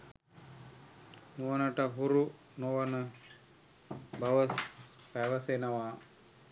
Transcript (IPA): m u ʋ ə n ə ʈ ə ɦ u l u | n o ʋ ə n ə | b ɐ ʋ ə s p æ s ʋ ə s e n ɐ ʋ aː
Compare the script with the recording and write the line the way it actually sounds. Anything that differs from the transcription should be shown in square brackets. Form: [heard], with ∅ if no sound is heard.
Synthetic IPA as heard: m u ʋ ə n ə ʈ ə ɦ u [ɾ] u | n o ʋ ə n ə | b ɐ ʋ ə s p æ [∅] ʋ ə s e n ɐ ʋ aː